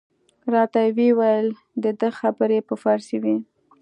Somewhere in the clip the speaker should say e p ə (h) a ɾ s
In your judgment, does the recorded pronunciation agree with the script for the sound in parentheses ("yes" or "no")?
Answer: no